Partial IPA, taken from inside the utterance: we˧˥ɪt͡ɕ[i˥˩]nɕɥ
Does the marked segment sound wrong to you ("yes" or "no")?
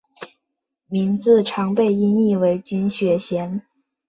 yes